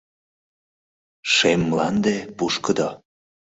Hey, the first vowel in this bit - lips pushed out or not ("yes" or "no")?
no